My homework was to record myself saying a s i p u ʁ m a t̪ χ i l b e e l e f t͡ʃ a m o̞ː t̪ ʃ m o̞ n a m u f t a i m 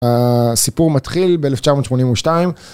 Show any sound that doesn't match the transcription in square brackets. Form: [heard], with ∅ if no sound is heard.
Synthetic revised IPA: a s i p u ʁ m a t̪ χ i l b e e l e f t͡ʃ a m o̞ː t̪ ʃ m o̞ n [i] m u [ʃ] t a i m

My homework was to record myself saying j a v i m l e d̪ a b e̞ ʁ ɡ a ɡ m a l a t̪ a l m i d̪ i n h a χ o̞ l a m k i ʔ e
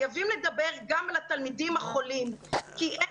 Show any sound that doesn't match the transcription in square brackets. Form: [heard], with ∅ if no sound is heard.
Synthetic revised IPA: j a v i m l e d̪ a b e̞ ʁ ɡ a [∅] m a l a t̪ a l m i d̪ i [m] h a χ o̞ l [i] m k i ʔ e

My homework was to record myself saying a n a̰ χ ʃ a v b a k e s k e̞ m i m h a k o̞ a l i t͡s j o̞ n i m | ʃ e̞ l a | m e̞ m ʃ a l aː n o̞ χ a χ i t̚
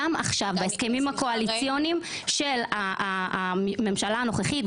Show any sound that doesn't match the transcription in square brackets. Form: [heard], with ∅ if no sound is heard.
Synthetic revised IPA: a [m] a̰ χ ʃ a v b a [∅] e s k e̞ m i m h a k o̞ a l i t͡s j o̞ n i m | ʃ e̞ l a | m e̞ m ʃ a l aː n o̞ χ [e] χ i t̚

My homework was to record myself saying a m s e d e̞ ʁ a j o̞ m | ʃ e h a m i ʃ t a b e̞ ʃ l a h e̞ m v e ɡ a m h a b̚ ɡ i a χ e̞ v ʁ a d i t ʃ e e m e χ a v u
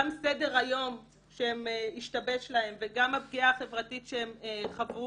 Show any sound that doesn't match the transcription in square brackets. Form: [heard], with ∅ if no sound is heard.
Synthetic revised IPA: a m s e d e̞ ʁ a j o̞ m | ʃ e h [e] m i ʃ t a b e̞ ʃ l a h e̞ m v e ɡ a m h a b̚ ɡ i a χ e̞ v ʁ a [t] i t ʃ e e m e χ a v u

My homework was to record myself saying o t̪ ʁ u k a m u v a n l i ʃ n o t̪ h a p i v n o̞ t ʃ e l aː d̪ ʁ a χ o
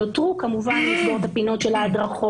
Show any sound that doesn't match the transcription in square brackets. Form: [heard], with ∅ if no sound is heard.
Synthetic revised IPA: o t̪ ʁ u k a m u v a n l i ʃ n o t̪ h a p i [∅] n o̞ t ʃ e l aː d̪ ʁ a χ o

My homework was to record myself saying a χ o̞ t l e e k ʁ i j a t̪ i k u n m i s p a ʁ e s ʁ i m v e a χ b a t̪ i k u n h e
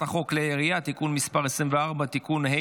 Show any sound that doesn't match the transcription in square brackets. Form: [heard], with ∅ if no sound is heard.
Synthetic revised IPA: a χ o̞ [k] l e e [∅] ʁ i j a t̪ i k u n m i s p a ʁ e s ʁ i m v e a [ʁ] b a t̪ i k u n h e

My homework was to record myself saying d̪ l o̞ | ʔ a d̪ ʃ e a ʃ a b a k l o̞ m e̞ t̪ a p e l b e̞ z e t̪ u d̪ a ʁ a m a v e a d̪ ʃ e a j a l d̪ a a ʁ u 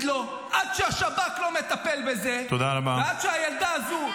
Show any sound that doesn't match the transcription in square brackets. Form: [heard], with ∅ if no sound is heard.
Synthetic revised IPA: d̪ l o̞ | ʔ a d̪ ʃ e a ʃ a b a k l o̞ m e̞ t̪ a p e l b e̞ z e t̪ [o] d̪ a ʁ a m a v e a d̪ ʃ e a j a l d̪ a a [z] u

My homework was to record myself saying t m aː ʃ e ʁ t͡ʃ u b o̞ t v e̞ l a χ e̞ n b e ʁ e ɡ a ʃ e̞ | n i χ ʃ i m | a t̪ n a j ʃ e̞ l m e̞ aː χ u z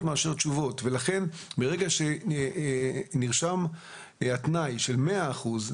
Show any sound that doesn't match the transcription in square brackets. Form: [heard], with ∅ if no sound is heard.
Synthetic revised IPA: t m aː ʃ e ʁ t͡ʃ u [v] o̞ t v e̞ l a χ e̞ n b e ʁ e ɡ a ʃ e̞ | n i [ʁ] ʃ [a] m | a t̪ n a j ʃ e̞ l m e̞ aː χ u z

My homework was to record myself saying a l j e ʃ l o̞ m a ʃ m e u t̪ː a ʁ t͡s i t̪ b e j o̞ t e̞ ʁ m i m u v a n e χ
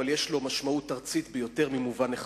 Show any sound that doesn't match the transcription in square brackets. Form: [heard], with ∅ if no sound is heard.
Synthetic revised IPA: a l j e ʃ l o̞ m a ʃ m [a] u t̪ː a ʁ t͡s i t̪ b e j o̞ t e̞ ʁ m i m u v a n e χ

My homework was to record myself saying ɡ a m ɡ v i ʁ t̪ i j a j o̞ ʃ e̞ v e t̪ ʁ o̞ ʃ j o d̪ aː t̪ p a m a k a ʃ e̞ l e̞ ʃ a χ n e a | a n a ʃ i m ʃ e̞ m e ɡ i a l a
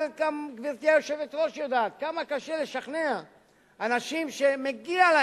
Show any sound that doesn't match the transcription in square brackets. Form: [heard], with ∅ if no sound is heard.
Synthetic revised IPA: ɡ a m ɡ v i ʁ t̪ i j a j o̞ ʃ e̞ v e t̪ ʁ o̞ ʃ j o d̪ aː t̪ [k] a m a k a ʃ e̞ l e̞ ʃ a χ n e a | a n a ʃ i m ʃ e̞ m e ɡ i a l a

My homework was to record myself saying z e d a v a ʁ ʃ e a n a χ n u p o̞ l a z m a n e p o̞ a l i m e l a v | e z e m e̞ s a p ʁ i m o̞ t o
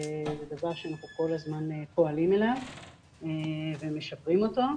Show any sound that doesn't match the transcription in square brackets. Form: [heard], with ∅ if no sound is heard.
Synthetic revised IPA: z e d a v a ʁ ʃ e a n a χ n u [k] o̞ l a z m a n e p o̞ a l i m e l a v | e [v] e m e̞ [ʃ] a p ʁ i m o̞ t o

